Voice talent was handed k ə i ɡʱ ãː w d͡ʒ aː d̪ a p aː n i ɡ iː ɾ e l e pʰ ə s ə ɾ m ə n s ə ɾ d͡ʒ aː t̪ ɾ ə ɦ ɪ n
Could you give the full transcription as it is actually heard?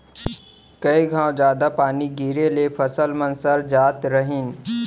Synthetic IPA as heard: k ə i ɡʱ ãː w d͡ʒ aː d̪ a p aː n i ɡ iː ɾ e l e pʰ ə s ə l m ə n s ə ɾ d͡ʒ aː t̪ ɾ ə ɦ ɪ n

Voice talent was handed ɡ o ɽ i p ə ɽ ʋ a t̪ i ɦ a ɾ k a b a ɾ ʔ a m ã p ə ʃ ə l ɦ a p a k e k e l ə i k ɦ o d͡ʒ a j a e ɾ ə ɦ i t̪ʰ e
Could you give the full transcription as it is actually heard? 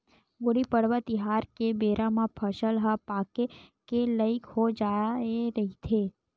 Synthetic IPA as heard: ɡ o ɽ i p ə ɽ ʋ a t̪ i ɦ a ɾ k e b e ɾ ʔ a m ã pʰ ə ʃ ə l ɦ a p a k e k e l ə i k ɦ o d͡ʒ a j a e ɾ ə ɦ i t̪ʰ e

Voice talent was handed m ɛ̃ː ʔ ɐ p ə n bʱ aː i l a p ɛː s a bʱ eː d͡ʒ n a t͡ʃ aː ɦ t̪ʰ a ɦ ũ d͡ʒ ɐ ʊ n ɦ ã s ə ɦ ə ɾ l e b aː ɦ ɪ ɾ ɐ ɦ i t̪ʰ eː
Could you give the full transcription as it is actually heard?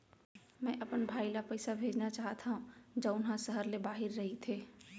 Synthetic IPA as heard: m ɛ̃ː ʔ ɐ p ə n bʱ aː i l a p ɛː s a bʱ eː d͡ʒ n a t͡ʃ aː ɦ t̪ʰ a ɦ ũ d͡ʒ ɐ ʊ n ɦ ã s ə ɦ ə ɾ l e b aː ɦ ɪ ɾː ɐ ɦ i t̪ʰ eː

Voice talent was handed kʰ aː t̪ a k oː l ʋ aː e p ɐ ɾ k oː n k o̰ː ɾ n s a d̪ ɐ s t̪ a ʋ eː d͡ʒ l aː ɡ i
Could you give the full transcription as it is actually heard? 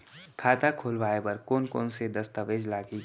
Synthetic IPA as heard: kʰ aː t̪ a kʰ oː l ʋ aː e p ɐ ɾ k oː n k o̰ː n s e d̪ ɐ s t̪ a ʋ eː d͡ʒ l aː ɡ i

